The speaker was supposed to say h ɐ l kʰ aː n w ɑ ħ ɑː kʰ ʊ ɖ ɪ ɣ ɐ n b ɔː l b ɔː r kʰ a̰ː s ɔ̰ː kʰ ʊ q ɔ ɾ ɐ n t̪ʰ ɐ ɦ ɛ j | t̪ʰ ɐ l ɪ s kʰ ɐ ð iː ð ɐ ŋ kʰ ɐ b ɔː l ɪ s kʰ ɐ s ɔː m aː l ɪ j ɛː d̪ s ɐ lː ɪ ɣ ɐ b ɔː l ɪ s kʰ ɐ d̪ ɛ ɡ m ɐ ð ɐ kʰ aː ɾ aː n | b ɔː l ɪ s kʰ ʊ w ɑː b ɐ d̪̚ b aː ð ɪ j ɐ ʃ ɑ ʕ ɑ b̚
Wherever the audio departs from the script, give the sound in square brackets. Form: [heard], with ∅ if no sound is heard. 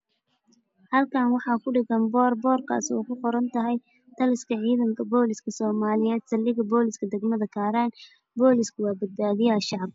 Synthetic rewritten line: h ɐ l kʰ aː n w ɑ ħ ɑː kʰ ʊ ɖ ɪ ɣ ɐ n b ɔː [r] b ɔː r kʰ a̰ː s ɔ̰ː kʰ ʊ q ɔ ɾ ɐ n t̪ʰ ɐ ɦ ɛ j | t̪ʰ ɐ l ɪ s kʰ ɐ [ʕ] iː ð ɐ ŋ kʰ ɐ b ɔː l ɪ s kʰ ɐ s ɔː m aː l ɪ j ɛː d̪ s ɐ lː ɪ ɣ ɐ b ɔː l ɪ s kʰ ɐ d̪ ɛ ɡ m ɐ ð ɐ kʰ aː ɾ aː n | b ɔː l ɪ s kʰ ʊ w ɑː b ɐ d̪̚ b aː ð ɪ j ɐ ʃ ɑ ʕ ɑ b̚